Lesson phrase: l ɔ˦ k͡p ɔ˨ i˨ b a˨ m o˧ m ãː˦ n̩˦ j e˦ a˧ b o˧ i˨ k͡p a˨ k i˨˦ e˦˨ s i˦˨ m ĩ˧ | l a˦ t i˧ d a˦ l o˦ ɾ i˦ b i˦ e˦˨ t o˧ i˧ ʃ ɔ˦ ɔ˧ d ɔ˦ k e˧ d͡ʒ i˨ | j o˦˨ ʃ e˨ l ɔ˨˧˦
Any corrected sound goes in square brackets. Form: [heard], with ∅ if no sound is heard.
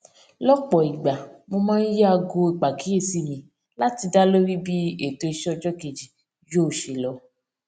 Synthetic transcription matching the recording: l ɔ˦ k͡p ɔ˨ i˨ [ɡ͡b] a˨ m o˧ m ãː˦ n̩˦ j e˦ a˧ [ɡ] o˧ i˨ k͡p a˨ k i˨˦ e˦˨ s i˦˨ m ĩ˧ | l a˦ t i˧ d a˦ l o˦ ɾ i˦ b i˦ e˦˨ t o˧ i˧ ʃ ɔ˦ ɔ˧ [d͡ʒ] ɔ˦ k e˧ d͡ʒ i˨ | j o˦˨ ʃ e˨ l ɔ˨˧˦